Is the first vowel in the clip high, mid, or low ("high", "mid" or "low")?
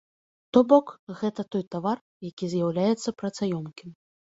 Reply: mid